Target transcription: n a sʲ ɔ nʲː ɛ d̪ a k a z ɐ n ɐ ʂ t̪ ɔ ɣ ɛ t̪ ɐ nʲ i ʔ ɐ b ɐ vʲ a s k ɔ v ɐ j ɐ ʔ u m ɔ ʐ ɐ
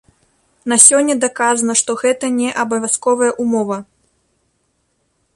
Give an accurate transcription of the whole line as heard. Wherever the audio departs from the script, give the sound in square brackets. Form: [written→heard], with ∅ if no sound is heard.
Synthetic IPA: n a sʲ ɔ nʲː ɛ d̪ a k a z ɐ n ɐ ʂ t̪ ɔ ɣ ɛ t̪ ɐ nʲ [i→ɛ] ʔ ɐ b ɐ vʲ a s k ɔ v ɐ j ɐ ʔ u m ɔ [ʐ→v] ɐ